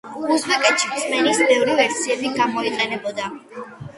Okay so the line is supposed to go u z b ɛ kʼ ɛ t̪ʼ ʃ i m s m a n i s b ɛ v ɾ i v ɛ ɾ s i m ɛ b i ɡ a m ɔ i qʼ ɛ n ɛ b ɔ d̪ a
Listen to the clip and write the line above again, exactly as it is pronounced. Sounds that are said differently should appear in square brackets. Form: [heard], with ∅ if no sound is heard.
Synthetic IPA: u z b ɛ kʼ ɛ [t̪] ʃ i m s m [ɛ] n i s b ɛ v ɾ i v ɛ ɾ s i [∅] ɛ b i ɡ a m ɔ i qʼ ɛ n ɛ b ɔ d̪ a